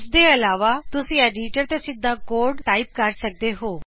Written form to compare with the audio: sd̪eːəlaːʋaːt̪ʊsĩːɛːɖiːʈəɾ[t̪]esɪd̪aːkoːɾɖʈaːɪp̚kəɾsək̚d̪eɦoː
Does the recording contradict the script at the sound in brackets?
no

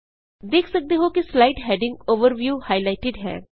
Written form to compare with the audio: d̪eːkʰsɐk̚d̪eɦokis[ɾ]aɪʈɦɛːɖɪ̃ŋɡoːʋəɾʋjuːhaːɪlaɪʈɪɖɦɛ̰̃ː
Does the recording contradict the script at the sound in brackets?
yes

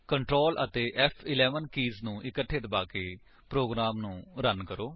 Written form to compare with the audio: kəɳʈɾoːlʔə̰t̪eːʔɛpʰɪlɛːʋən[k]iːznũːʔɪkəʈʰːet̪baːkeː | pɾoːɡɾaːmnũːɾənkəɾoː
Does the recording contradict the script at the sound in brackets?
no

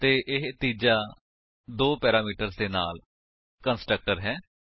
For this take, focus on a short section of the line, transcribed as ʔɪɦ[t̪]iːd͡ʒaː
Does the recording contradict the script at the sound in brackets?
no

